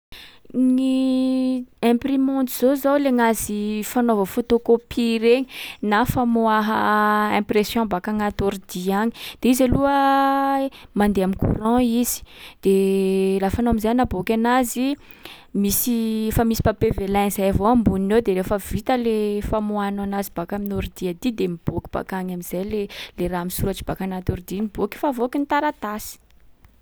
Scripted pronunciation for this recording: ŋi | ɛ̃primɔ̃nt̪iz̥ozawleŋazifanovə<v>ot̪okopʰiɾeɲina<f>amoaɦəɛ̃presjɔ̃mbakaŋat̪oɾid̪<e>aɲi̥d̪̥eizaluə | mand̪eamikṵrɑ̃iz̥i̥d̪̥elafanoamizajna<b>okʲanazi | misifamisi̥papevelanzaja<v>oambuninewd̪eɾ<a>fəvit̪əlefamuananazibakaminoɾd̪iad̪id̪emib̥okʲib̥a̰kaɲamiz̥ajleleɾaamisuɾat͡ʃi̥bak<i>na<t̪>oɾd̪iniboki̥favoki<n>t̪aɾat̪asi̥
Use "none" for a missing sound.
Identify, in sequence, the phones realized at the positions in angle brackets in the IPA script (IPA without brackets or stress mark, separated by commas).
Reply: f, f, i, b, v, e, a, t̪, n